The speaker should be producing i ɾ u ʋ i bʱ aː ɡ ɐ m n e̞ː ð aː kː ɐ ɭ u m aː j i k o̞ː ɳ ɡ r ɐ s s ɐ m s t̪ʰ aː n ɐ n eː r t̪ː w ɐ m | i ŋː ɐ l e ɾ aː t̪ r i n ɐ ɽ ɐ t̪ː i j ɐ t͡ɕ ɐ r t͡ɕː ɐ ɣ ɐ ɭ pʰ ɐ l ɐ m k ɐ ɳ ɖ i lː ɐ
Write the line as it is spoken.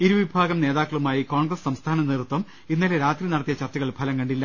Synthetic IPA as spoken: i ɾ u ʋ i bʱ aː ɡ ɐ m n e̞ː ð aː kː ɐ ɭ u m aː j i k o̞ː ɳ ɡ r ɐ s s ɐ m s t̪ʰ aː n ɐ n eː r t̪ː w ɐ m | i nː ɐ l e ɾ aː t̪ r i n ɐ ɽ ɐ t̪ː i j ɐ t͡ɕ ɐ r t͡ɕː ɐ ɣ ɐ ɭ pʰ ɐ l ɐ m k ɐ ɳ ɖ i lː ɐ

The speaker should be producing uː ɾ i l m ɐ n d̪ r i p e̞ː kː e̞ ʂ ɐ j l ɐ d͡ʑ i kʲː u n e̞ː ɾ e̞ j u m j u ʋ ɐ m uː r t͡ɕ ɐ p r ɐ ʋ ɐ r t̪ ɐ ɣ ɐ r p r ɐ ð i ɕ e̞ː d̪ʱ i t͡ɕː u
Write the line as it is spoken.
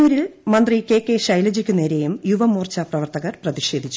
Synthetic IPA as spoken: uː ɾ i l m ɐ n d̪ r i k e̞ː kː e̞ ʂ ɐ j l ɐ d͡ʑ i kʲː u n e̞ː ɾ e̞ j u m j u ʋ ɐ m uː r t͡ɕ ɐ p r ɐ ʋ ɐ r t̪ ɐ ɣ ɐ r p r ɐ ð i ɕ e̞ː d̪ʱ i t͡ɕː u

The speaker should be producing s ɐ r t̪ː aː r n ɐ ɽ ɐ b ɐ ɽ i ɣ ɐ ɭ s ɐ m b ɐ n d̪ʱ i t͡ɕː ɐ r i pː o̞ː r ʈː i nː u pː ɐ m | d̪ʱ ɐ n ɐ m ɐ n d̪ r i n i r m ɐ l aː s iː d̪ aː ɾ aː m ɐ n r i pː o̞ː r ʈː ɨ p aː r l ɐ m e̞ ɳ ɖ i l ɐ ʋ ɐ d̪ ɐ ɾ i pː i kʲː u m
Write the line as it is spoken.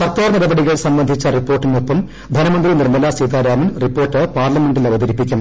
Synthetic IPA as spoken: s ɐ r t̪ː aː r n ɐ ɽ ɐ b ɐ ɽ i ɣ ɐ ɭ s ɐ m b ɐ n d̪ʱ i t͡ɕː ɐ r i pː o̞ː r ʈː i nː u pː ɐ m | d̪ʱ ɐ n ɐ m ɐ n d̪ r i n i r m ɐ l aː s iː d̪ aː ɾ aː m ɐ n r i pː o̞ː r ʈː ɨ p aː r l ɐ m e̞ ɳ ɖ i l ɐ ʋ ɐ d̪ ɐ ɾ i pː i kʲː u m

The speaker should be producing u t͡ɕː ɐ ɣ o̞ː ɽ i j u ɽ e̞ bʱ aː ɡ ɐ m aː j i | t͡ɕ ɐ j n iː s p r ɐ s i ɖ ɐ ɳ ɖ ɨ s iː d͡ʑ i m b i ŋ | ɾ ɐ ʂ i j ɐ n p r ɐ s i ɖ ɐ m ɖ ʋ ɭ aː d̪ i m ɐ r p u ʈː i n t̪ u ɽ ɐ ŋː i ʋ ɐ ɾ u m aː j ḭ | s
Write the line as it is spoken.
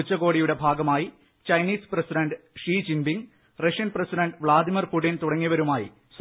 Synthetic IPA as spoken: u t͡ɕː ɐ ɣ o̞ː ɽ i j u ɽ e̞ bʱ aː ɡ ɐ m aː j i | t͡ɕ ɐ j n iː s p r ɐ s i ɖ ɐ ɳ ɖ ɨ ʂ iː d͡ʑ i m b i ŋ | r ɐ ʂ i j ɐ n p r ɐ s i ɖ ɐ ɳ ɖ ʋ ɭ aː d̪ i m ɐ r p u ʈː i n t̪ u ɽ ɐ ŋː i ʋ ɐ ɾ u m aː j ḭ | s

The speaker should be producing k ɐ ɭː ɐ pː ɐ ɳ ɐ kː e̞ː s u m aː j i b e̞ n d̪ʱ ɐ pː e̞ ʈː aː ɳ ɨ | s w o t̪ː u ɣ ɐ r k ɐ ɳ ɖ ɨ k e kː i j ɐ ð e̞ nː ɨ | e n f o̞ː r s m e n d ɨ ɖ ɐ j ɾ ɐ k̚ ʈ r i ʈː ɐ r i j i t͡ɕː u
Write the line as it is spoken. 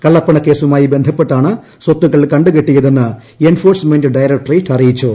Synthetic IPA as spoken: k ɐ ɭː ɐ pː ɐ ɳ ɐ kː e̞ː s u m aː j i b e̞ n d̪ʱ ɐ pː e̞ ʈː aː ɳ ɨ | s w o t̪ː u ɣ ɐ ɭ k ɐ ɳ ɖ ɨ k e ʈː i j ɐ ð e̞ nː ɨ | e n f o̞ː r s m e n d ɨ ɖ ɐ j ɾ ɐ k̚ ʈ r i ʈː ɐ r i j i t͡ɕː u

